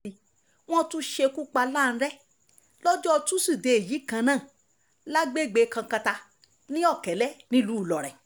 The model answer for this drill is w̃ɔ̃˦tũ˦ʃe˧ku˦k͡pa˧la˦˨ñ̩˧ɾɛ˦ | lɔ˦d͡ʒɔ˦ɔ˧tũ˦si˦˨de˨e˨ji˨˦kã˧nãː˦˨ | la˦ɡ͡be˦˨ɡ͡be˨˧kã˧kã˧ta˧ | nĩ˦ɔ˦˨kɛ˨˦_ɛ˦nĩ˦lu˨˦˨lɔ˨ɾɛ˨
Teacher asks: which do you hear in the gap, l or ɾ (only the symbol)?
l